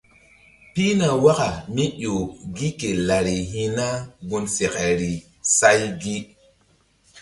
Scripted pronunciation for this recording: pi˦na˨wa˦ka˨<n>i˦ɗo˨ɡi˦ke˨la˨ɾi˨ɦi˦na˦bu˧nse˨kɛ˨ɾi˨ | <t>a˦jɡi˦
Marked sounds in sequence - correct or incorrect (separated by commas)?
incorrect, incorrect